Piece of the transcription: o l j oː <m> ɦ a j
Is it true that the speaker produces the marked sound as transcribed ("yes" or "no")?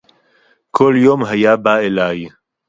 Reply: yes